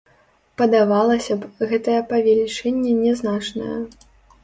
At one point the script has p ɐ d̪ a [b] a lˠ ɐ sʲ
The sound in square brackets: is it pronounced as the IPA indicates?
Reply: no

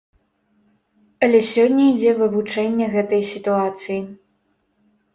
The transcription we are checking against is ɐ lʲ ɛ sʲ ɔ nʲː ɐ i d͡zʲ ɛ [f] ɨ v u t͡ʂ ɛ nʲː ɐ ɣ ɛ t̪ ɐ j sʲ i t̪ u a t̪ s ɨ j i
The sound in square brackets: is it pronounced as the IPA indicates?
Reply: no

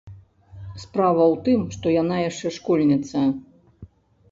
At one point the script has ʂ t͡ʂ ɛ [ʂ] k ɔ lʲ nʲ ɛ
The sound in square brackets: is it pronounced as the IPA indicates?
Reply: yes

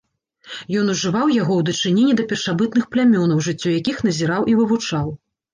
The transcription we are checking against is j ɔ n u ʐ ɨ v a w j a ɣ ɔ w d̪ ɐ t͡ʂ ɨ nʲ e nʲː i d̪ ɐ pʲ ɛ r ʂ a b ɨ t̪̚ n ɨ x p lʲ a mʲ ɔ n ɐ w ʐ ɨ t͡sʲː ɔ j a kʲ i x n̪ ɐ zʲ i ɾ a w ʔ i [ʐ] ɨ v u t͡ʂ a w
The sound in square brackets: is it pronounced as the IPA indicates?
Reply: no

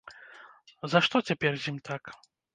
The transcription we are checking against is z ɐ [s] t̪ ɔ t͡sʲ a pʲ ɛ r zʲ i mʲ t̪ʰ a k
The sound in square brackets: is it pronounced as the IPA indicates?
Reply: no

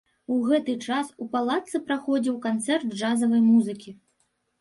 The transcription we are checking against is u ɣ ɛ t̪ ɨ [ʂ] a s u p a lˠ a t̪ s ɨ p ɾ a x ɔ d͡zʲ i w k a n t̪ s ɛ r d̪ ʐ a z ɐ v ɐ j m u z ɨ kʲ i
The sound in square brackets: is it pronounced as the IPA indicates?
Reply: no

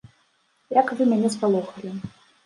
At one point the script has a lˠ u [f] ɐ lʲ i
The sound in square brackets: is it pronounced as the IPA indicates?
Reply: no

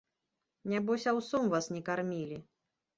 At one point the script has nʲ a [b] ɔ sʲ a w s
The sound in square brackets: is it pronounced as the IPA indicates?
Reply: yes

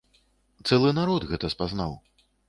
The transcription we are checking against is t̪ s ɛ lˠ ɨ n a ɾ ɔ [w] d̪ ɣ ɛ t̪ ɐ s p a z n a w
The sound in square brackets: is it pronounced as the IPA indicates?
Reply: no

